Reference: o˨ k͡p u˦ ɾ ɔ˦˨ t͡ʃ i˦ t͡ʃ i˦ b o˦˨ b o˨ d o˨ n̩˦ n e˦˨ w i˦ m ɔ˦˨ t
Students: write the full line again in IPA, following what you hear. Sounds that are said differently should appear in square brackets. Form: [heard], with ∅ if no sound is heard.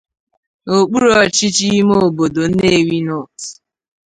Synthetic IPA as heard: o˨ k͡p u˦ ɾ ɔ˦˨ t͡ʃ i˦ t͡ʃ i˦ [m] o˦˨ b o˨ d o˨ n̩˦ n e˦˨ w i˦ [n] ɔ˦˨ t